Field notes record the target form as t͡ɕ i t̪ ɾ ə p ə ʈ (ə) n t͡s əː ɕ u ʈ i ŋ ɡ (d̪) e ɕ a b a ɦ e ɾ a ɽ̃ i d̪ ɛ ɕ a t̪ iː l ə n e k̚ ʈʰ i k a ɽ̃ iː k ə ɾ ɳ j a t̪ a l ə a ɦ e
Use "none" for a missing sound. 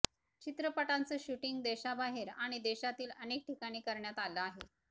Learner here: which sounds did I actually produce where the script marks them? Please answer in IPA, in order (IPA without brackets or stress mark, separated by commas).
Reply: a, d̪